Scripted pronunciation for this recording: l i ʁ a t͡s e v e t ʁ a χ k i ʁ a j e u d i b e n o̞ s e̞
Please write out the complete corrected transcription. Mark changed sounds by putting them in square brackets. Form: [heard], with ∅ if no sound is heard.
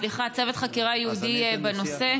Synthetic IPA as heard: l i [χ] a t͡s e v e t [χ] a [∅] k i ʁ a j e u d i b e n o̞ s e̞